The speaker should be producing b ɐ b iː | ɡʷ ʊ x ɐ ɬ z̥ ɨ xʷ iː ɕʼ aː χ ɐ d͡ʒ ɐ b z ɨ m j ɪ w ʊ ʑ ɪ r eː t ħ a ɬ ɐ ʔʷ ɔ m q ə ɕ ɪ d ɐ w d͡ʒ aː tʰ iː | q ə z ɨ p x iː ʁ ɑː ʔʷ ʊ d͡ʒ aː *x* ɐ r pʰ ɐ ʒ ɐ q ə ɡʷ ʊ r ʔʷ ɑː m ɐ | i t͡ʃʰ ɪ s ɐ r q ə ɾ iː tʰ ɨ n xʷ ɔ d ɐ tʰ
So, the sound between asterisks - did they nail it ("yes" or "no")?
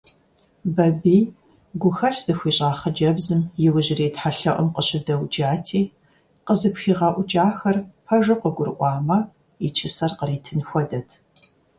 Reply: yes